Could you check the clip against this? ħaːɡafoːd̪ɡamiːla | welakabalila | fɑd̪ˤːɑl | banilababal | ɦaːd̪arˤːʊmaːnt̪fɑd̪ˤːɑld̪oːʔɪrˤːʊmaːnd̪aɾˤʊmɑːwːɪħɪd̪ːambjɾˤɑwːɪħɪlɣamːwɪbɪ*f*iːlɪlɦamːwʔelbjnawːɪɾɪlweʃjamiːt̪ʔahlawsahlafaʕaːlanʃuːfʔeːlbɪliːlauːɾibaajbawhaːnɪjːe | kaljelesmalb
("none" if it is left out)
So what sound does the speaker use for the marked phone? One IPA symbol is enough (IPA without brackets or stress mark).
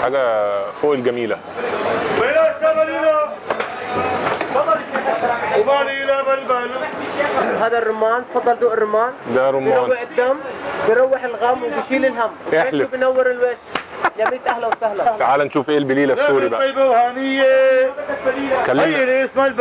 ʃ